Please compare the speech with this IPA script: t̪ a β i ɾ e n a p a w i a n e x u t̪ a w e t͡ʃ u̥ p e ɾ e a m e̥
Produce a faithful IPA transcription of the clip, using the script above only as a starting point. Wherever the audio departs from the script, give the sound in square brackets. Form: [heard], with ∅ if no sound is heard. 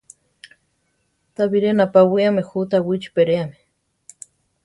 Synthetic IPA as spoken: t̪ a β i ɾ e n a p a w i a [m] e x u t̪ a w [i] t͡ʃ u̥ p e ɾ e a m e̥